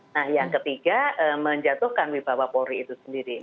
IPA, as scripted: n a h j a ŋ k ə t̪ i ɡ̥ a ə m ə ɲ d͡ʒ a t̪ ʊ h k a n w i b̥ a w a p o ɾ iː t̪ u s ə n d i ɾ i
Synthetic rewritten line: n a h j a ŋ k ə t̪ i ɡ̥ a ə m ə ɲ d͡ʒ a t̪ ʊ h k a n w i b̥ a w a p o ɾ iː t̪ u s ə n d i ɾ i

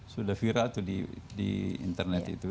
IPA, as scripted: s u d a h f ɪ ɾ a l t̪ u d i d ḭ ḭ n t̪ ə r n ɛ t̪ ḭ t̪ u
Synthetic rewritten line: s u d a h f i ɾ a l t̪ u d i d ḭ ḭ n t̪ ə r n ɛ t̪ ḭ t̪ u

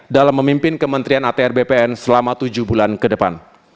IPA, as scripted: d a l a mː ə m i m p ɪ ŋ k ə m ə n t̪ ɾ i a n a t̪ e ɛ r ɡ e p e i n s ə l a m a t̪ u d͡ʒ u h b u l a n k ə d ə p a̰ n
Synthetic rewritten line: d a l a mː ə m i m p ɪ n k ə m ə n t̪ ɾ i a n a t̪ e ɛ r b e p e ɛ n s ə l a m a t̪ u d͡ʒ u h b u l a n k ə d ə p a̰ n

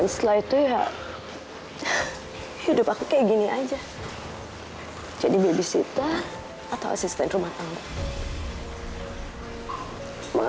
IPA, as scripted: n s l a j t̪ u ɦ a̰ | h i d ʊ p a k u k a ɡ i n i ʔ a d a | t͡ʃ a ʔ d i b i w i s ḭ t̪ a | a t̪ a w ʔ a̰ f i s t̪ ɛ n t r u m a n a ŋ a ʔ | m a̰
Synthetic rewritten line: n s l a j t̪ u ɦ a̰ | h i d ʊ p a k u k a ɡ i n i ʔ a d͡ʒ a | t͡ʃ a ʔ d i b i b i s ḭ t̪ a | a t̪ a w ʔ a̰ s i s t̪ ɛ n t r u m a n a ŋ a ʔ | m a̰

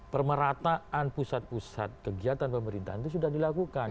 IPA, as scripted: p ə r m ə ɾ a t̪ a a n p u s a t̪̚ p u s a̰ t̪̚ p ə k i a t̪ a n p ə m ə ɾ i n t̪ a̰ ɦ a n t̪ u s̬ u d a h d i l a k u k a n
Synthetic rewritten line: p ə r m ə ɾ a t̪ a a n p u s a t̪̚ p u s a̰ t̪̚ k ə ɡ i a t̪ a n p ə m ə ɾ i n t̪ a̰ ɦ a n t̪ u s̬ u d a h d i l a k u k a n

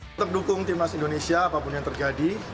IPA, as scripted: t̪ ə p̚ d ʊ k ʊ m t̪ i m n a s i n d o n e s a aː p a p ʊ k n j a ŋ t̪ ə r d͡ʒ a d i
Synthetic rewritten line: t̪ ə p̚ d u k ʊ ŋ t̪ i m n a s i n d o n e s i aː p a p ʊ n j a ŋ t̪ ə r d͡ʒ a d i

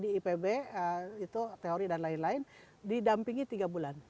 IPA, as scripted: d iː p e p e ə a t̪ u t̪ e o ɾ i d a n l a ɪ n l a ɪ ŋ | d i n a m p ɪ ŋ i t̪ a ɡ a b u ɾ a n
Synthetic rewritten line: d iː p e b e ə i t̪ u t̪ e o ɾ i d a n l a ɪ n l a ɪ n | d i d a m p i ŋ i t̪ i ɡ a b u l a n

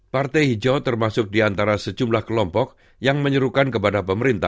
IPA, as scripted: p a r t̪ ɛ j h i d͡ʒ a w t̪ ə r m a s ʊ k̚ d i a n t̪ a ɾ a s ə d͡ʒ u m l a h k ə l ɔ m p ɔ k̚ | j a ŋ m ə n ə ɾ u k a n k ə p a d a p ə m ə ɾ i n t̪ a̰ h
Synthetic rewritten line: p a r t̪ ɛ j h i d͡ʒ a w t̪ ə r m a s ʊ k̚ d i a n t̪ a ɾ a s ə d͡ʒ u m l a h k ə l ɔ m p ɔ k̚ | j a ŋ m ə ɲ ə ɾ u k a n k ə p a d a p ə m ə ɾ i n t̪ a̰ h

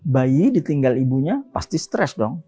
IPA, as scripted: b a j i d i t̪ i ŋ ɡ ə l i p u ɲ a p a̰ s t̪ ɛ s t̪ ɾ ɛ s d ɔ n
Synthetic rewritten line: b a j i d i t̪ i ŋ ɡ a l i b u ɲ a p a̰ s t̪ i s t̪ ɾ ɛ s d ɔ ŋ

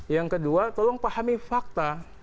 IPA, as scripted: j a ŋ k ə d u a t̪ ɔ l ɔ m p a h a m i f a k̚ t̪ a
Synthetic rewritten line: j a ŋ k ə d u a t̪ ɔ l ɔ ŋ p a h a m i f a k̚ t̪ a

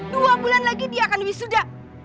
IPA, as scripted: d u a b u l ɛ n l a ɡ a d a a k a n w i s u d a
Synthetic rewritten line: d u a b u l a n l a ɡ i d i a k a n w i s u d a

